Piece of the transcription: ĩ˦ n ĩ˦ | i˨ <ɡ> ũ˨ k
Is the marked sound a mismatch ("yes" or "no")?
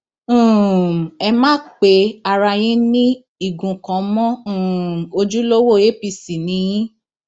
no